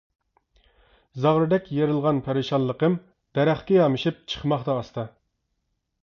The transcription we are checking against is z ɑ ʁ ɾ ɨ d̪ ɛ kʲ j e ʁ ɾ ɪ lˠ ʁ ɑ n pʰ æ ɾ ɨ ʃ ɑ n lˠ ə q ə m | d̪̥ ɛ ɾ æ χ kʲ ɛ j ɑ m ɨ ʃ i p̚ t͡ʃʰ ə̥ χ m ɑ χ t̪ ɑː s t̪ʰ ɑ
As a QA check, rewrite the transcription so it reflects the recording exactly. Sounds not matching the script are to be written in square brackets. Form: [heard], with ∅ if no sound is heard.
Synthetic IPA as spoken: z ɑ ʁ ɾ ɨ d̪ ɛ kʲ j e [∅] ɾ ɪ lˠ ʁ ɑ n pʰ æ ɾ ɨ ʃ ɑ n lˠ ə q ə m | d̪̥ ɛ ɾ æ χ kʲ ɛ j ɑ m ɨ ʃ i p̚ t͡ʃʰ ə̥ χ m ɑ χ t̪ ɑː s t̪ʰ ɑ